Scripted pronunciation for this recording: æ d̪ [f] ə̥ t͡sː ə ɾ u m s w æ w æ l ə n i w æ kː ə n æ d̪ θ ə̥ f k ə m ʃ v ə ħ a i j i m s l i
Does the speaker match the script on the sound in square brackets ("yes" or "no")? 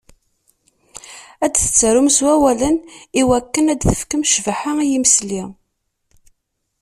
no